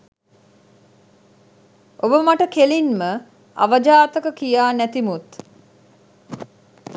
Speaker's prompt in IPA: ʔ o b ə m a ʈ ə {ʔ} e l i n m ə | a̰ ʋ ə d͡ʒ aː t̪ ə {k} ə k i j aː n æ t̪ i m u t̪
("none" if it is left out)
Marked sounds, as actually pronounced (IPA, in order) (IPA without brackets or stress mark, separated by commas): k, k